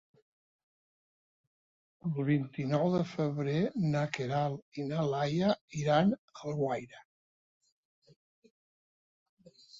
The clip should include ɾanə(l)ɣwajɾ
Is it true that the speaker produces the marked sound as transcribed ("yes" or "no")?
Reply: yes